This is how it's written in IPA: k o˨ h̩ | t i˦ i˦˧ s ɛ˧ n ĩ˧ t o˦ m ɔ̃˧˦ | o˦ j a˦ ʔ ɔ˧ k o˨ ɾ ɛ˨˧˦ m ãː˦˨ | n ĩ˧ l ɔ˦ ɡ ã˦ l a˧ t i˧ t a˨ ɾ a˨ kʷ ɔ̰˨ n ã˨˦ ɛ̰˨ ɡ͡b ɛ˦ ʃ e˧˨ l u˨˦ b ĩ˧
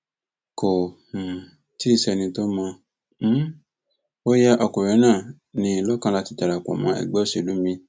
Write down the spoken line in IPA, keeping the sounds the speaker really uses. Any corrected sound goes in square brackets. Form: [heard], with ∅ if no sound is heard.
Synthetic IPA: k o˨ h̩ | t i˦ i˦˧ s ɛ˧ n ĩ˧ t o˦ m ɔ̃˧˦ | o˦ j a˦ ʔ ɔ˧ k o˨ ɾ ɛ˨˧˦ [n] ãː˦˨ | n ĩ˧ l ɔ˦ [k] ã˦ l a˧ t i˧ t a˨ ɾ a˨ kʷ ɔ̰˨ [m] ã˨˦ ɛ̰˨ ɡ͡b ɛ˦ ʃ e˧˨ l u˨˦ [m] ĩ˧